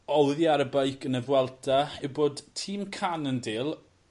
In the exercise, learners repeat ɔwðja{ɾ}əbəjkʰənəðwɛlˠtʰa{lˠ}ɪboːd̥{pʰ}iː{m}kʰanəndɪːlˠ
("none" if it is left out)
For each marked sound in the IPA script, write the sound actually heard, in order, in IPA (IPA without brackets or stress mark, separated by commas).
ɾ, none, tʰ, m